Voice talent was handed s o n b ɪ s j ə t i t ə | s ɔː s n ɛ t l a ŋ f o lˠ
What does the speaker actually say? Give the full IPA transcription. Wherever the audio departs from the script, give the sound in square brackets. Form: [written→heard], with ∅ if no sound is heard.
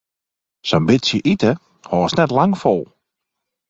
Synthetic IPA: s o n b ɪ s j ə [t→ʔ] i t ə | [s→h] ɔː s n ɛ t l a ŋ f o lˠ